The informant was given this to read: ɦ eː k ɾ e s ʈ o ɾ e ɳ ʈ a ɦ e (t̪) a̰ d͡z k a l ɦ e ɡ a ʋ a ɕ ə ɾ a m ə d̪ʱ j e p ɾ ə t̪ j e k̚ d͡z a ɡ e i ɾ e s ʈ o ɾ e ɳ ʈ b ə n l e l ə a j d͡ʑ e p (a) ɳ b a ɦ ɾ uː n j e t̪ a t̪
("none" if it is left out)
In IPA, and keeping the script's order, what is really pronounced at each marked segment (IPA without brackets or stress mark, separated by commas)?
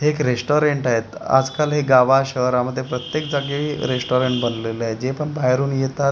t̪, ə